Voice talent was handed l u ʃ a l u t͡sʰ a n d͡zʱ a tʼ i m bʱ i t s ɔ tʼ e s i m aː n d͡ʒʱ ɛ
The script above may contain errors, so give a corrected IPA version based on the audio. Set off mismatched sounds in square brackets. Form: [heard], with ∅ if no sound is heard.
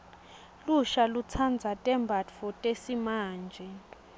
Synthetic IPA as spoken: l u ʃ a l u t͡sʰ a n d͡zʱ a tʼ [ɛ] m bʱ [a] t [f] ɔ tʼ e s i m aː n d͡ʒʱ ɛ